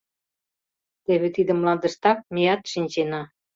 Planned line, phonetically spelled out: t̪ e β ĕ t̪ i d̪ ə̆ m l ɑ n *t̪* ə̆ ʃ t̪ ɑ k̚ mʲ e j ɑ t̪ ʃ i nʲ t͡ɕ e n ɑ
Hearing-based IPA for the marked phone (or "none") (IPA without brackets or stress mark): d̪